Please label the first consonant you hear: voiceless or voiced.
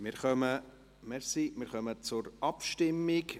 voiced